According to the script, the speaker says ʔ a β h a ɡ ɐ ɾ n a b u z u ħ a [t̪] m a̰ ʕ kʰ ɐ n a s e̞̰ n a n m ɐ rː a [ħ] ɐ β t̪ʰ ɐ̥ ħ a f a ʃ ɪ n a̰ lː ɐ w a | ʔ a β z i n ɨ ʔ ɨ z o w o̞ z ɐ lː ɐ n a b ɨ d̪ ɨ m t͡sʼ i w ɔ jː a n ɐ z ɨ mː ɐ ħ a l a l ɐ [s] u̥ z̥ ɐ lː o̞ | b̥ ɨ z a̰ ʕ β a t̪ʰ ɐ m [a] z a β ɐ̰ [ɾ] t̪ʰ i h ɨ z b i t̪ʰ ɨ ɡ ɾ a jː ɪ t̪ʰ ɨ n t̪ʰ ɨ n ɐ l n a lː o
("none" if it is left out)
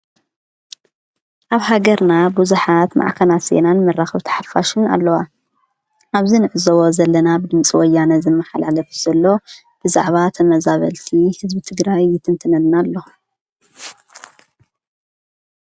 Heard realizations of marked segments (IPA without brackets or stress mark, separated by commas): t̪, x, f, ɐ, l